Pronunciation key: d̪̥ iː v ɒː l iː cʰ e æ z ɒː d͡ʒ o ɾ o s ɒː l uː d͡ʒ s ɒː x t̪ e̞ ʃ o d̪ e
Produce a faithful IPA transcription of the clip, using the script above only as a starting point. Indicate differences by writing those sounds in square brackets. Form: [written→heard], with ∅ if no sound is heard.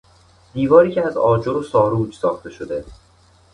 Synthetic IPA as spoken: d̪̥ iː v ɒː [l→ɾ] iː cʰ e æ z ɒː d͡ʒ o ɾ o s ɒː [l→ɾ] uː d͡ʒ s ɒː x t̪ e̞ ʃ o d̪ e